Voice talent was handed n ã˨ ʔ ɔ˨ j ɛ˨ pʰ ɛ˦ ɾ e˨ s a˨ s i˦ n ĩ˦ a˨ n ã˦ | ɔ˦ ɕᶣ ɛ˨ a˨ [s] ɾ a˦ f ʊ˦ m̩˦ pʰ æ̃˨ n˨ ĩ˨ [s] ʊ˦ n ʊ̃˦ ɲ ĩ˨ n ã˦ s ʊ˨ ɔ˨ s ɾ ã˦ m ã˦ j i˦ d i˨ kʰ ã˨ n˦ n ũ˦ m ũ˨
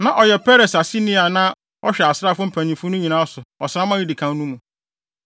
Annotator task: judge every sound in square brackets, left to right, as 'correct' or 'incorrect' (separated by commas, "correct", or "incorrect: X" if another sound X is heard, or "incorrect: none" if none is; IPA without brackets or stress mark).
correct, incorrect: f